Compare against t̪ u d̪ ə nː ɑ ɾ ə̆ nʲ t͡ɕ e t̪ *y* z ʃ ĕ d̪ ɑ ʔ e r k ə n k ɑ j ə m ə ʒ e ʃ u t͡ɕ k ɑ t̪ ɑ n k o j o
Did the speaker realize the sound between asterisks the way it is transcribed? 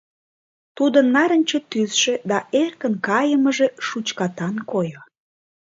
yes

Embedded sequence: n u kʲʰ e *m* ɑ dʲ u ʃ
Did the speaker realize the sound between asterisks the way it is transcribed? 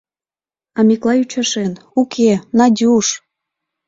no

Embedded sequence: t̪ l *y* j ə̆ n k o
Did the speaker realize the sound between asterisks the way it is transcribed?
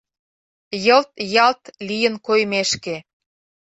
no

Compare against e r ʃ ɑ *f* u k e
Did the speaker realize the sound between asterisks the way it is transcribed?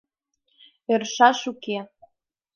no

